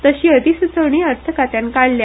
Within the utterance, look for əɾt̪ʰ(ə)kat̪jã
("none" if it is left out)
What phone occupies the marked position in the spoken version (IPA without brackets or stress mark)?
ə